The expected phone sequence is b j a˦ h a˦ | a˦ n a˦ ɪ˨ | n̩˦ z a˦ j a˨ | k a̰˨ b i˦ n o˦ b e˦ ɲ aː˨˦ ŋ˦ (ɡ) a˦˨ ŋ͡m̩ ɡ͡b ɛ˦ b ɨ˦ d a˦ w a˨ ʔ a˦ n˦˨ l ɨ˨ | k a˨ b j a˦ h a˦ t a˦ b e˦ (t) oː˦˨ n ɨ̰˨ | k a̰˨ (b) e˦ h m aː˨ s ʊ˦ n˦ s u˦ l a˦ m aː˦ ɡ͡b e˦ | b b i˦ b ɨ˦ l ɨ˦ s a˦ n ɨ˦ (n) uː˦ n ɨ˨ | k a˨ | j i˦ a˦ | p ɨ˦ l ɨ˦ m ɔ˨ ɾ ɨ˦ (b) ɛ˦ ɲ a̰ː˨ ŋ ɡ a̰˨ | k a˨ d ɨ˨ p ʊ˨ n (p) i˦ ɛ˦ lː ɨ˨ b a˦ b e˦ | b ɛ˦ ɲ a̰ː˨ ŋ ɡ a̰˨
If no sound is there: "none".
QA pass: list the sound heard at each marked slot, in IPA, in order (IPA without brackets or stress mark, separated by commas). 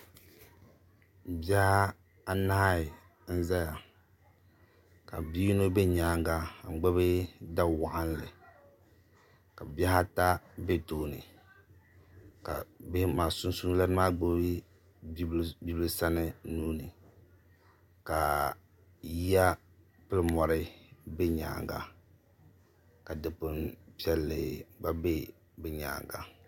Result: ɡ, t, b, n, b, p